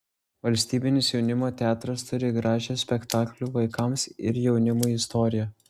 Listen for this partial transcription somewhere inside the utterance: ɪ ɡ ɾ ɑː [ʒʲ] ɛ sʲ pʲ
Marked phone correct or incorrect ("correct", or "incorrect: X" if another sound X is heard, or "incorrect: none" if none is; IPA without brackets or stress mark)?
correct